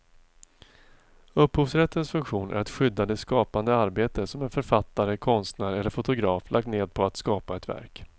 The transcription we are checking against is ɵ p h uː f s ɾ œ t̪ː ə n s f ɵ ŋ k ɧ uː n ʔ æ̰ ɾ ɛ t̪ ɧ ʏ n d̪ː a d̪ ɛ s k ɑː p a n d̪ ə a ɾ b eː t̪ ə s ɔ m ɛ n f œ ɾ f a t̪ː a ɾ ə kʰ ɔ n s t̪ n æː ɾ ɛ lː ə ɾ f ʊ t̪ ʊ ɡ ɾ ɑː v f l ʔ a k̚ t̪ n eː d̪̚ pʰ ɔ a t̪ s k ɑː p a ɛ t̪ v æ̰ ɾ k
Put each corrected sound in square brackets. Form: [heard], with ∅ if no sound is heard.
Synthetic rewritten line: ɵ p h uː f s ɾ [ɛ] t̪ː ə n s f ɵ ŋ k ɧ uː n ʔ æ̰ ɾ ɛ t̪ ɧ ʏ [∅] d̪ː a d̪ ɛ s k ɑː p a n d̪ ə a ɾ b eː t̪ ə s ɔ m ɛ n f œ ɾ f a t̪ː a ɾ ə kʰ ɔ n s t̪ n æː ɾ ɛ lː ə ɾ f ʊ t̪ ʊ ɡ ɾ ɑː [∅] f l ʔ a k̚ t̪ n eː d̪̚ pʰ ɔ a t̪ s k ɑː p a ɛ t̪ v æ̰ ɾ k